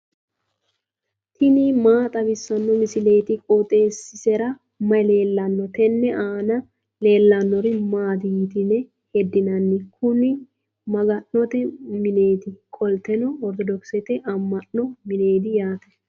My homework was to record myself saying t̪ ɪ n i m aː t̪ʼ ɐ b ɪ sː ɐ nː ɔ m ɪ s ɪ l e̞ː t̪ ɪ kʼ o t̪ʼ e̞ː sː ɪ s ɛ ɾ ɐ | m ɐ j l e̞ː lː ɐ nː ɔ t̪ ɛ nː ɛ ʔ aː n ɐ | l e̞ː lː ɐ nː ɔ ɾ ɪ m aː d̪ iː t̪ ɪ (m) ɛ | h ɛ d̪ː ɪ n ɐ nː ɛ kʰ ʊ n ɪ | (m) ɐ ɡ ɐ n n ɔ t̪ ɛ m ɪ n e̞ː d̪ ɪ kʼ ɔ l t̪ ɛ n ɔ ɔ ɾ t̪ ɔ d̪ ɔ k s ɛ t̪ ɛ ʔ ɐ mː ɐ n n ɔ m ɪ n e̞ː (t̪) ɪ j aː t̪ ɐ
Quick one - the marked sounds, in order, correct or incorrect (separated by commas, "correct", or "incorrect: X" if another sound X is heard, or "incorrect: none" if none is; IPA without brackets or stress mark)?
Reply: incorrect: n, correct, incorrect: d̪